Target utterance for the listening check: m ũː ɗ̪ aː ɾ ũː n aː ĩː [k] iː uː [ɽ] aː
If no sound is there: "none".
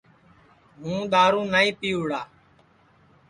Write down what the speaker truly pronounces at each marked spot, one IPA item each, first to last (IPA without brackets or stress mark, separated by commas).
p, ɽ